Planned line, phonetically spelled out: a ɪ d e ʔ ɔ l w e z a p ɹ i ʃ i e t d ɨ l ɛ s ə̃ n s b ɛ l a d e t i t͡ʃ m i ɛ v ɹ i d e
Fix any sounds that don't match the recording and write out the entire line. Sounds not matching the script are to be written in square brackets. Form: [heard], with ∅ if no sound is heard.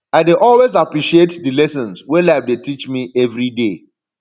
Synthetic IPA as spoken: a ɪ d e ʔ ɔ l w e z a p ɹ i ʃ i e t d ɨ l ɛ s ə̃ n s [w] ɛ l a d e t i t͡ʃ m i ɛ v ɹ i d e

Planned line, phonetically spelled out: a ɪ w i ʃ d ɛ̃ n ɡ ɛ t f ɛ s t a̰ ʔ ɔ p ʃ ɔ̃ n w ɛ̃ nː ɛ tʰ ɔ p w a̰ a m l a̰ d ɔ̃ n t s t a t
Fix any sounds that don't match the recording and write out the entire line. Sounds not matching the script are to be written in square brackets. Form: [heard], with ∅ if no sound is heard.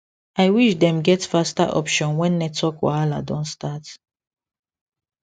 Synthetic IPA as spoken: a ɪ w i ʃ d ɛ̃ [m] ɡ ɛ t f [a] s t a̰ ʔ ɔ p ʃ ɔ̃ n w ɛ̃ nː ɛ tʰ ɔ [k] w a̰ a [∅] l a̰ d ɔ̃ n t s t a t

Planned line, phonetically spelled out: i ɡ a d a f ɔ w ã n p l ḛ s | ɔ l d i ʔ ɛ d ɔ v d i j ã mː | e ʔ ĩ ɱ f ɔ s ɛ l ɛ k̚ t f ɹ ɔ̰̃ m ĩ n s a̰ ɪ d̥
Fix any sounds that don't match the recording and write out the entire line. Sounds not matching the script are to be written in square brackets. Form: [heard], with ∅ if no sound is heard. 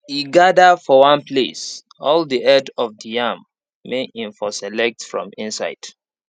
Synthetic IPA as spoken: i ɡ a d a f ɔ w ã n p l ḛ s | ɔ l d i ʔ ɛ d ɔ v d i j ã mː | e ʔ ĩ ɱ f ɔ s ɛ l ɛ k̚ t f ɹ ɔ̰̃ m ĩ n s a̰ ɪ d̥

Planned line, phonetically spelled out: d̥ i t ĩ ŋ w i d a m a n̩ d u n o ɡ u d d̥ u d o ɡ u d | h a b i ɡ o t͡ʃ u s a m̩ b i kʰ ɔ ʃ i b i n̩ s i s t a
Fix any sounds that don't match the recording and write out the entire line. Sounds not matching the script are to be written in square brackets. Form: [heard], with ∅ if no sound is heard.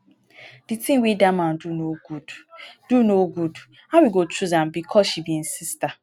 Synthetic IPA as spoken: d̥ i t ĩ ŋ w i d a m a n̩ d u n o ɡ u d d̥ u [n] o ɡ u d | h a [w] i ɡ o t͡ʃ u [z] a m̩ b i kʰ ɔ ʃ i b i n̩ s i s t a

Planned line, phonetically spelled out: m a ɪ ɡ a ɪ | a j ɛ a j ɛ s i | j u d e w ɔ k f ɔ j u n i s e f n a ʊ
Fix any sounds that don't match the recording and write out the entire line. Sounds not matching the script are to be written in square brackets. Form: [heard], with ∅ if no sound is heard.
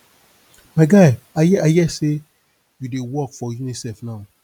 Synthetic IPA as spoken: m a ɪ ɡ a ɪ | a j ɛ a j ɛ s [e] | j u d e w ɔ k f ɔ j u n i s [ɛ] f n a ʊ

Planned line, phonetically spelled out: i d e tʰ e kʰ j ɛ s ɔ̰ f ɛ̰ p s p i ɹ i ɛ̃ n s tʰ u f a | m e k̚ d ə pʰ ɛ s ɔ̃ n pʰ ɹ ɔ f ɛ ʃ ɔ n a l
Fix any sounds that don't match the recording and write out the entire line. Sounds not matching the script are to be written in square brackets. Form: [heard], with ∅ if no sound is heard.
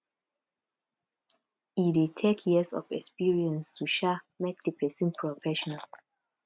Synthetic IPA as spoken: i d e tʰ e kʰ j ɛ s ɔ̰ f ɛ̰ [k] s p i ɹ i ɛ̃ n s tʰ u [ʃ] a | m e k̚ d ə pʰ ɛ s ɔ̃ n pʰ ɹ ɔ f ɛ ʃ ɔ n a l

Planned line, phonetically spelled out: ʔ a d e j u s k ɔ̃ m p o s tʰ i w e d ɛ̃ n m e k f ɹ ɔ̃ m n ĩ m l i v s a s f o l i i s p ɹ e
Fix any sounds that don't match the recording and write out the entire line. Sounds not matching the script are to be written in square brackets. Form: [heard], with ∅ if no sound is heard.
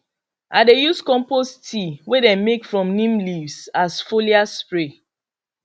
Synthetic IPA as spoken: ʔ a d e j u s k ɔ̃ m p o s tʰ i w e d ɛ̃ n m e k f ɹ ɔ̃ m n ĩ m l i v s a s f o l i [a] s p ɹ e

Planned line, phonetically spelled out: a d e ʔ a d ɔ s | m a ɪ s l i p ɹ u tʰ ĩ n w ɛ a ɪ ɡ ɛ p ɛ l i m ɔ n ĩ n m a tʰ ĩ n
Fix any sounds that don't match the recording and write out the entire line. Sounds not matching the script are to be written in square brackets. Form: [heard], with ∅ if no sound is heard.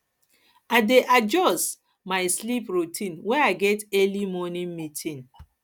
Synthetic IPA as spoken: a d e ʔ a [d͡ʒ] ɔ s | m a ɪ s l i p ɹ u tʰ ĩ n w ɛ a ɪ ɡ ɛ [t] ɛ l i m ɔ n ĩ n m [i] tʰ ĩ n

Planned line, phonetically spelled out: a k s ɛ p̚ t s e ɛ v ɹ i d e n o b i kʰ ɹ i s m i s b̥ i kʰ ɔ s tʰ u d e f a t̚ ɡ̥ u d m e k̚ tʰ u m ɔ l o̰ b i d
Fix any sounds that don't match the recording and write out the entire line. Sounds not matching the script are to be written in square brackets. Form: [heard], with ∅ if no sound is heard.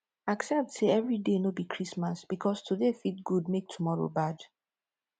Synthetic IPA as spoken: a k s ɛ p̚ t s e ɛ v ɹ i d e n o b i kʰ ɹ i s m [a] s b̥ i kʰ ɔ s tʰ u d e f [i] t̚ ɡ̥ u d m e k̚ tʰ u m ɔ [ɹ] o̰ b [a] d

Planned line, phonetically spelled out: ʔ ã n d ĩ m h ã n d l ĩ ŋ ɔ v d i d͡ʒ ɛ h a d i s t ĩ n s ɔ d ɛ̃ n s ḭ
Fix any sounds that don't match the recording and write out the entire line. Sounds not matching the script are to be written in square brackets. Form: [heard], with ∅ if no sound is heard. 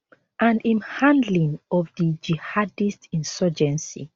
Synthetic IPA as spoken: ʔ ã n d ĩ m h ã n d l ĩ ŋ ɔ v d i d͡ʒ [i] h a d i s t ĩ n s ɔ [d͡ʒ] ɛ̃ n s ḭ

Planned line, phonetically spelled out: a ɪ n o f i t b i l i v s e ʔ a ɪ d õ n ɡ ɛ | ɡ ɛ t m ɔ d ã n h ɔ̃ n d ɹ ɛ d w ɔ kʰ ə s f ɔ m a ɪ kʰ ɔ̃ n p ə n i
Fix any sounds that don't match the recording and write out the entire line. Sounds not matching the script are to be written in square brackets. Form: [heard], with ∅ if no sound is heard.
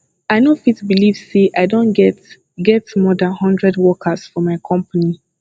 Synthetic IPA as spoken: a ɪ n o f i t b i l i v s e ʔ a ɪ d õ n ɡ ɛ | ɡ ɛ t m ɔ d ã n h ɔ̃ n d ɹ ɛ d w ɔ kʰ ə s f ɔ m a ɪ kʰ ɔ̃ [m] p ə n i

